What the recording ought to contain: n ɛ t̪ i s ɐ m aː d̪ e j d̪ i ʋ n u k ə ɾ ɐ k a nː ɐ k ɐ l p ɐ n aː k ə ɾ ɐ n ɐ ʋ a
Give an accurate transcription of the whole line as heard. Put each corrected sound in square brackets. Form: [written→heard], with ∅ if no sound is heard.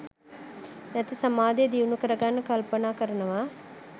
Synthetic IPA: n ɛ t̪ i s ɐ m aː d̪ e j d̪ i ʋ n u k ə ɾ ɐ [k→ɡ] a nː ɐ k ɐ l p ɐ n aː k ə ɾ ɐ n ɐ ʋ a